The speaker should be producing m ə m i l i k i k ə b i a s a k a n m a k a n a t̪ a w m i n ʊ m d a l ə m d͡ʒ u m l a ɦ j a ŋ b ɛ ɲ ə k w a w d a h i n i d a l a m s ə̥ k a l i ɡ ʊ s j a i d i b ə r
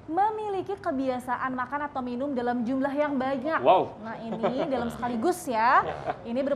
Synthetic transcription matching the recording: m ə m i l i k i k ə b i a s a ʔ a n m a k a n a t̪ a w m i n ʊ m d a l a m d͡ʒ u m l a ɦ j a ŋ b a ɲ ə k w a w n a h i n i d a l a m s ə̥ k a l i ɡ ʊ s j a i n i b ə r